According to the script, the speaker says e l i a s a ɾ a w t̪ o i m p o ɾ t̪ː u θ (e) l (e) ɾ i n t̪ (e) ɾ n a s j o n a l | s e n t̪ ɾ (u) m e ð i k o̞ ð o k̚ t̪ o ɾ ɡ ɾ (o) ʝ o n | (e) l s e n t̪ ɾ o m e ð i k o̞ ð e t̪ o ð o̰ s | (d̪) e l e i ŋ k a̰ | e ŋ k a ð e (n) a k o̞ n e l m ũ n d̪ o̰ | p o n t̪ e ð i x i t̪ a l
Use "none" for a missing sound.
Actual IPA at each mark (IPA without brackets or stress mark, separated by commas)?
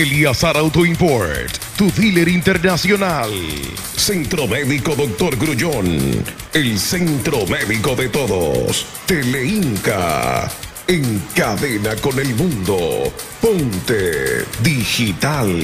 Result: i, e, e, o, u, e, t̪, n